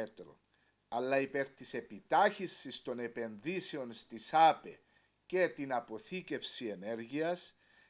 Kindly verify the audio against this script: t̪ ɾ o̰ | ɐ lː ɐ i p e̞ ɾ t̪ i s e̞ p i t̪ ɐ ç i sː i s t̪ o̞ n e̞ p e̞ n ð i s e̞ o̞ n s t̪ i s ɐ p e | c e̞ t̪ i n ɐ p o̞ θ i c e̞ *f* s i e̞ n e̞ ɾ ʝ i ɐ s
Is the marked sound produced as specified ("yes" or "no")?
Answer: yes